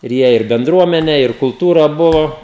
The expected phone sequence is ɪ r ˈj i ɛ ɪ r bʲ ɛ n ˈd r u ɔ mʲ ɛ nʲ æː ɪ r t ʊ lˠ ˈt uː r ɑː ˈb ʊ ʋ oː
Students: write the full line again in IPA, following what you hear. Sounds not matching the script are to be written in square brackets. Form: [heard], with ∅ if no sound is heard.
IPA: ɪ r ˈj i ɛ ɪ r bʲ ɛ n ˈd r u ɔ mʲ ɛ nʲ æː ɪ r [k] ʊ lˠ ˈt uː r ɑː ˈb ʊ ʋ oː